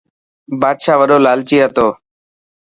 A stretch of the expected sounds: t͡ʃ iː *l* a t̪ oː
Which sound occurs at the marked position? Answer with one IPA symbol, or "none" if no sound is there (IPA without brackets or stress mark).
none